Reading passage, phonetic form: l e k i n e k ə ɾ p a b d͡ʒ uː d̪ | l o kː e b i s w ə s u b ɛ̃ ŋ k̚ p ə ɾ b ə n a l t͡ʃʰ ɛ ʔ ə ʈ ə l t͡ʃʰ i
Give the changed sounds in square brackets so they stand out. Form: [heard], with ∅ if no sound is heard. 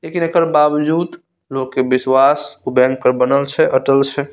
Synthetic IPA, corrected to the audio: l e k i n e k ə ɾ [b] a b d͡ʒ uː d̪ | l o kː e b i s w [a] s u b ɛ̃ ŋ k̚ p ə ɾ b ə n [ə] l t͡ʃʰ ɛ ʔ ə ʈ ə l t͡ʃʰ [ɛ]